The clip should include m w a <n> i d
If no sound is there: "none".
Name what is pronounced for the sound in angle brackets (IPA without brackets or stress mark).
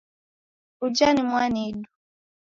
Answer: n